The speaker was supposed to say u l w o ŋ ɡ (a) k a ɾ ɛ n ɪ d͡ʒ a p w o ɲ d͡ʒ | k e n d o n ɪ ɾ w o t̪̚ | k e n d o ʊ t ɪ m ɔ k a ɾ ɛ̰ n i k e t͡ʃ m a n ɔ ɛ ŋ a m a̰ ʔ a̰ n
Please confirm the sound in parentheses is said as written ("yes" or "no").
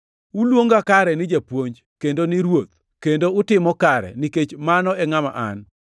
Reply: yes